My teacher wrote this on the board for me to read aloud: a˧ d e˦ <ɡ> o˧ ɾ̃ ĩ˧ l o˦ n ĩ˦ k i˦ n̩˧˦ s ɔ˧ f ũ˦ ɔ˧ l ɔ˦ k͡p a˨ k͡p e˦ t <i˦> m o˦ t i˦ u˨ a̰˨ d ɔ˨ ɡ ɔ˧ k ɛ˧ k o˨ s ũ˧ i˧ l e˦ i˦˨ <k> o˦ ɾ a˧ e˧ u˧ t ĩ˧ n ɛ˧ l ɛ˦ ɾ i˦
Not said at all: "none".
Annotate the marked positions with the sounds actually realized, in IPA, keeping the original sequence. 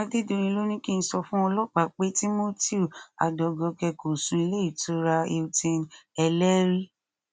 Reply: d, i˦, t

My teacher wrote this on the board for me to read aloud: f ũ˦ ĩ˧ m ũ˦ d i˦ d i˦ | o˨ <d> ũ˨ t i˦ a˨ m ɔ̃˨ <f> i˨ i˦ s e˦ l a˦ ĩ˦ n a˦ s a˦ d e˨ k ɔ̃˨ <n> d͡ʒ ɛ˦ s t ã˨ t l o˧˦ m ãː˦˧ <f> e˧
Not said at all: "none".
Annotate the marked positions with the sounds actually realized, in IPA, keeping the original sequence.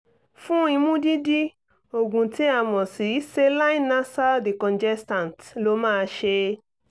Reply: ɡ, s, n, ʃ

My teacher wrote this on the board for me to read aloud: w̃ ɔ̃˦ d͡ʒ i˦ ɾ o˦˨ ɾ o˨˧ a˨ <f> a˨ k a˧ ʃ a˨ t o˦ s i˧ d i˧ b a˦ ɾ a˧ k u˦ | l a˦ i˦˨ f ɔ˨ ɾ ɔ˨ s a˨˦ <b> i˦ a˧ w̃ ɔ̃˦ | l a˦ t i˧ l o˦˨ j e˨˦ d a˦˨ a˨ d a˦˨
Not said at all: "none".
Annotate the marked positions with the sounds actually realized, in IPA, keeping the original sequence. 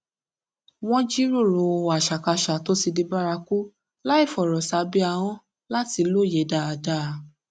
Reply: ʃ, b

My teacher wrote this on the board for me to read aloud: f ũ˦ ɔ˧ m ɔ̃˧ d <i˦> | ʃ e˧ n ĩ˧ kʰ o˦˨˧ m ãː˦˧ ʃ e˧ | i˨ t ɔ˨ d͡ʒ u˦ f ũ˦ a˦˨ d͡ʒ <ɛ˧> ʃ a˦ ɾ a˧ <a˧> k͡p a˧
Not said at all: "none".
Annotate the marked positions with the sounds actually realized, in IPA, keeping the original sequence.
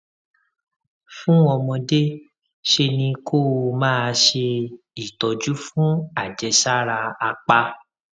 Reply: e˦, ɛ˧, a˧

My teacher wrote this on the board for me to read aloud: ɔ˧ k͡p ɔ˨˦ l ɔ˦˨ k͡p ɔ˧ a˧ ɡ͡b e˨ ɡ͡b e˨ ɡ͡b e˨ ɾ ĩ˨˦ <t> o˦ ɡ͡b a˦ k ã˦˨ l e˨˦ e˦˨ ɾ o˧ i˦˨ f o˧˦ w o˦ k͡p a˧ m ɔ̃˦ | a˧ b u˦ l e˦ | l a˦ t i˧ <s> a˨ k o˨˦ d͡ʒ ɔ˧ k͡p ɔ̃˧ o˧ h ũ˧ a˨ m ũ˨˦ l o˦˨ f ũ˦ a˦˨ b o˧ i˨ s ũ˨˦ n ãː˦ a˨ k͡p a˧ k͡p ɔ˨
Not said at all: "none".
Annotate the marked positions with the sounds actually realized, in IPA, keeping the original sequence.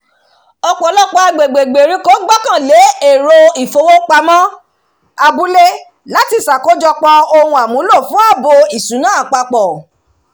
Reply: k, s

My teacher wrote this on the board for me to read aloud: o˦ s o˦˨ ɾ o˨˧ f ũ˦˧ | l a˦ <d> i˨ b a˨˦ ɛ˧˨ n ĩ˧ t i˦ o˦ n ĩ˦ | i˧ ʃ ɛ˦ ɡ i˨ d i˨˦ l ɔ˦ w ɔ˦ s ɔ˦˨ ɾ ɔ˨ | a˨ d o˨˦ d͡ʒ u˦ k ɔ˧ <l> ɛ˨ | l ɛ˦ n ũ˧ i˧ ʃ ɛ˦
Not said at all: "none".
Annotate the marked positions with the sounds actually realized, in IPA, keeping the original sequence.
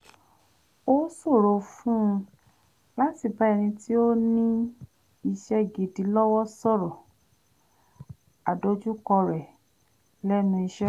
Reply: t, ɾ

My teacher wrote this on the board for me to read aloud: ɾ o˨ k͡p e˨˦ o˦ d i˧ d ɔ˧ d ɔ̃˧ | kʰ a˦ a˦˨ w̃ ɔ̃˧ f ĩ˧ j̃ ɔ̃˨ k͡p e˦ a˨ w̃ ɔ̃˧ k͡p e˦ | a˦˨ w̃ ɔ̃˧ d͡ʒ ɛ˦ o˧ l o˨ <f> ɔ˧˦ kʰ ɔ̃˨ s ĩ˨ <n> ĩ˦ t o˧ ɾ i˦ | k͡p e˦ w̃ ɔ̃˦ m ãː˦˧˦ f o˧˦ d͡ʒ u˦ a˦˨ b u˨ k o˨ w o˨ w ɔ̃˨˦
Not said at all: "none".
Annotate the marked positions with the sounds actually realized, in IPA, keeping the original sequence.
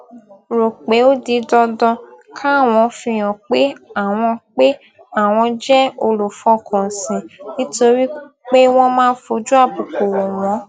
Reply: f, n

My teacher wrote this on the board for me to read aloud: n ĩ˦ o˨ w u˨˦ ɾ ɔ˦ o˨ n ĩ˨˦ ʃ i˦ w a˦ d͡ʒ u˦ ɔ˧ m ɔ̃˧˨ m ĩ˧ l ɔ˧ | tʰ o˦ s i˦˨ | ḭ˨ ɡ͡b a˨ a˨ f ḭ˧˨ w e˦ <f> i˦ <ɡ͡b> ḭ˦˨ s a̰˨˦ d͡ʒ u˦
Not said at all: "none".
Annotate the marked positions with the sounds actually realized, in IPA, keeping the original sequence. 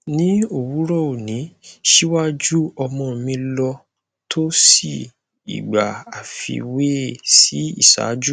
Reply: s, none

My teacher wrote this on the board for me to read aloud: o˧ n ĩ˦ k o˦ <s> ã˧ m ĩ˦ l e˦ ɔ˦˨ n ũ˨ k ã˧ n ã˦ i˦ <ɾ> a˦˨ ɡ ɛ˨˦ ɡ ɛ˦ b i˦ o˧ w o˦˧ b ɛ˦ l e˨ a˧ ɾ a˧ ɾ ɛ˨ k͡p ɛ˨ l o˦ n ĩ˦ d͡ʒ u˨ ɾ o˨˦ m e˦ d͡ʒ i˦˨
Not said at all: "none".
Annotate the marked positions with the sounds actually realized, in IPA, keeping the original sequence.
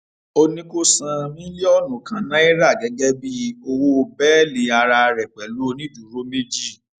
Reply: s, ɾ

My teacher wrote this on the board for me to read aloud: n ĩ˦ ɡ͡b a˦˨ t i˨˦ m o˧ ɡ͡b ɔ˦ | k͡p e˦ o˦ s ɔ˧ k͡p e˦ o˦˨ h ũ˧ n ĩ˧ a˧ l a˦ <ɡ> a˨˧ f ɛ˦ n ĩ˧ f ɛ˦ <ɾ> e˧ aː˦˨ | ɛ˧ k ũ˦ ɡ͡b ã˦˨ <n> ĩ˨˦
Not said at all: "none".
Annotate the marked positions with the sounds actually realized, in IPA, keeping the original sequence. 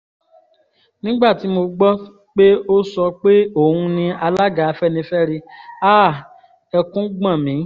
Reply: ɡ, ɾ, m

